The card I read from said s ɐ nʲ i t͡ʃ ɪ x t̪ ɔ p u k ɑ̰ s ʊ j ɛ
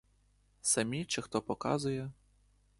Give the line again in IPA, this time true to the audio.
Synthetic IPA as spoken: s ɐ mʲ i t͡ʃ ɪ x t̪ ɔ p ɔ k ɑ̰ z ʊ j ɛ